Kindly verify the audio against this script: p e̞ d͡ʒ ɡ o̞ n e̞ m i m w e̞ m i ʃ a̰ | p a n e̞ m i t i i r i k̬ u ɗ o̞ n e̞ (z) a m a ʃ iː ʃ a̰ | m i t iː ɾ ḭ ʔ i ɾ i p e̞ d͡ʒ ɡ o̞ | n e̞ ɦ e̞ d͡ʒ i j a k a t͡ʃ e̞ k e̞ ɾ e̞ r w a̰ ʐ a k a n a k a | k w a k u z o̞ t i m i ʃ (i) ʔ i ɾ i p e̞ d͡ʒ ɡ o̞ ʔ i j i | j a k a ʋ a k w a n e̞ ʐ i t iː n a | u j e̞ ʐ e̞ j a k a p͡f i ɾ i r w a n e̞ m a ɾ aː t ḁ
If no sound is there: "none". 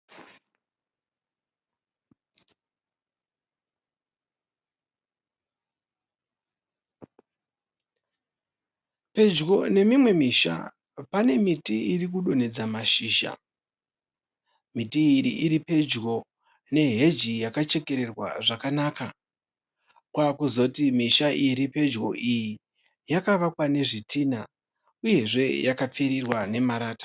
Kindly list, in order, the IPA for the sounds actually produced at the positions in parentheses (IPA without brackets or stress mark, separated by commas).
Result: d͡z, a